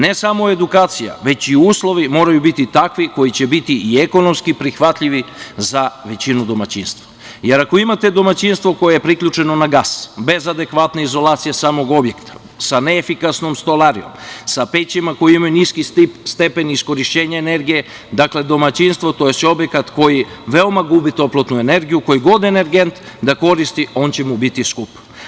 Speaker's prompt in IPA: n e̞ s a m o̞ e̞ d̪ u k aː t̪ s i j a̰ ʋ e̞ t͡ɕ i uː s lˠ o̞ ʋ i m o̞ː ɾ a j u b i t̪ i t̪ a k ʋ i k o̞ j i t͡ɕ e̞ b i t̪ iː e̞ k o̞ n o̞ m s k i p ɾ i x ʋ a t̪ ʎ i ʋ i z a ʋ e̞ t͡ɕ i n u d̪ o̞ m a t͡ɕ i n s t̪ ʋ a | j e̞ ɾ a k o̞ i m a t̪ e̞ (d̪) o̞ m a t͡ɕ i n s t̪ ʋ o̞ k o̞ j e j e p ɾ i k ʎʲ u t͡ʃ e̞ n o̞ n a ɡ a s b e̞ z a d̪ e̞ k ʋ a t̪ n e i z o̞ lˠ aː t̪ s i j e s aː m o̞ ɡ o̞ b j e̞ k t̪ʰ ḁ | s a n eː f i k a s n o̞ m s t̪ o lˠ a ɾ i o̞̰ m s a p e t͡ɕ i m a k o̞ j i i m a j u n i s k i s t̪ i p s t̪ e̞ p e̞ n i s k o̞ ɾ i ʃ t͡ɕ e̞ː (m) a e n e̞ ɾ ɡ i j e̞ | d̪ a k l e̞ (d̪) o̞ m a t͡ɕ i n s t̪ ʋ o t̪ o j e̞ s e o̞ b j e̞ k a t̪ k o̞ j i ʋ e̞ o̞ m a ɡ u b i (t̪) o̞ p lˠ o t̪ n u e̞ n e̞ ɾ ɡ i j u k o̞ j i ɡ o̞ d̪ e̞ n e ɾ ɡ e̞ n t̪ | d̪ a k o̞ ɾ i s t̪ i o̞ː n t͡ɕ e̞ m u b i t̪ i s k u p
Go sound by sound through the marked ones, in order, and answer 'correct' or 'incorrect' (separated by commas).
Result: correct, incorrect, correct, correct